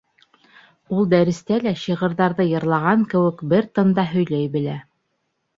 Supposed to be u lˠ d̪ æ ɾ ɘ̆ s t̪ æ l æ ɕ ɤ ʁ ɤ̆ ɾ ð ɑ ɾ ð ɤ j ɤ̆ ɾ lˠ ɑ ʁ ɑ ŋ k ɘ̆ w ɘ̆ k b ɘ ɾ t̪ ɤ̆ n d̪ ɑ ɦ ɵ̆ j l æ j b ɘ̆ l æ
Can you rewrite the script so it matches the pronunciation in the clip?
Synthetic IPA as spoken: u lˠ d̪ æ ɾ ɘ̆ s t̪ æ l æ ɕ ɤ ʁ ɤ̆ ɾ ð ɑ ɾ ð ɤ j ɤ̆ ɾ lˠ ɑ ʁ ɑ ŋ k ɘ̆ w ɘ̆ k b ɘ ɾ t̪ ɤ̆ n d̪ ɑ ɦ ɵ̆ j l æ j b ɘ̆ l æ